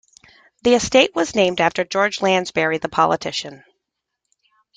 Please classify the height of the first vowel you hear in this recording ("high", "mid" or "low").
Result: high